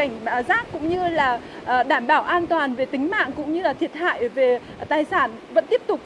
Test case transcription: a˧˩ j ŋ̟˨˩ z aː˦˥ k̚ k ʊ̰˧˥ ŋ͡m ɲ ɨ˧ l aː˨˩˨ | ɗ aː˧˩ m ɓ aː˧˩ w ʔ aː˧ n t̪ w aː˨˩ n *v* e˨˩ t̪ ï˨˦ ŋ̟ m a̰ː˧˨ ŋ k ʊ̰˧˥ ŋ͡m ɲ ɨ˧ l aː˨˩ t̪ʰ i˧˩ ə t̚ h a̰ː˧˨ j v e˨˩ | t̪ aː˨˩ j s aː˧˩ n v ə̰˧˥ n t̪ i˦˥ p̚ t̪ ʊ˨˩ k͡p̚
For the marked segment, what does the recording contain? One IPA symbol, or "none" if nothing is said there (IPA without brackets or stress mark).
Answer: v